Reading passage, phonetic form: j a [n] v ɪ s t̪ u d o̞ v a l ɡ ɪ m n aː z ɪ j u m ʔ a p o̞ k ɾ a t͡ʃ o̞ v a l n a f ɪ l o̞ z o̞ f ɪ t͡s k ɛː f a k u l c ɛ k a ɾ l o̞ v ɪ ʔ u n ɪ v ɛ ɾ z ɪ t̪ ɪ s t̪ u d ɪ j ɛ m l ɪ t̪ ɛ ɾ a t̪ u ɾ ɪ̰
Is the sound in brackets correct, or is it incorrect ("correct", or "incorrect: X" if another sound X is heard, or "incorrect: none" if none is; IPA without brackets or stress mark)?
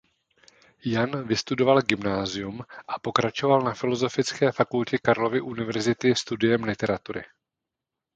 correct